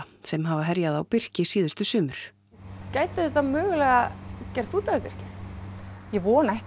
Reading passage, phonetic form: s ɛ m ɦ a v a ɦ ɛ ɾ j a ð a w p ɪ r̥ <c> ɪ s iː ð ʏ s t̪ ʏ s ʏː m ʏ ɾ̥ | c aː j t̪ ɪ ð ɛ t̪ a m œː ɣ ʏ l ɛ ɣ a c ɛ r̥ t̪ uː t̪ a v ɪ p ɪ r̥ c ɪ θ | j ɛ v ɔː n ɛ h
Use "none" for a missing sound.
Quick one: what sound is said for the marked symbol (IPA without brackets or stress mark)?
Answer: c